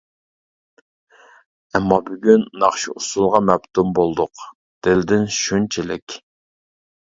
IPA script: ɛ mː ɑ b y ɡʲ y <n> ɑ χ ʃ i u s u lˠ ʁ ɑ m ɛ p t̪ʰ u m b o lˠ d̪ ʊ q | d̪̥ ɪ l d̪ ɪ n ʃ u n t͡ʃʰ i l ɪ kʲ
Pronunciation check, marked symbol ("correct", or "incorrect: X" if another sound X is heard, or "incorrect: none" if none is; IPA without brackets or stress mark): incorrect: nː